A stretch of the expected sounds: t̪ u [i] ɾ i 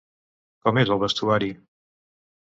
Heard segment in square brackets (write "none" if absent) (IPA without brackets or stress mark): a